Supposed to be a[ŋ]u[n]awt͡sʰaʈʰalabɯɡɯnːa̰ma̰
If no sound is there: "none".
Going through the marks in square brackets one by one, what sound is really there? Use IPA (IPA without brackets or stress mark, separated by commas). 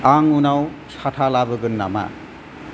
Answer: ŋ, n